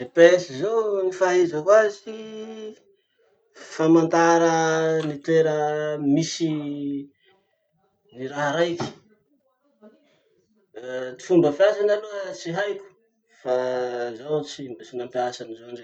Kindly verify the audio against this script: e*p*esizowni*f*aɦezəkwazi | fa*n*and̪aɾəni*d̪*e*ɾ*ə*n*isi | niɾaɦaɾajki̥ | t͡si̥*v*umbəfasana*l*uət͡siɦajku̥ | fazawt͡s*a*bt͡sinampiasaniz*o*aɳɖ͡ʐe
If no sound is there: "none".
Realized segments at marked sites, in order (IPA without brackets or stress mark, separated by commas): p, f, m, t̪, ɾ, m, f, l, i, o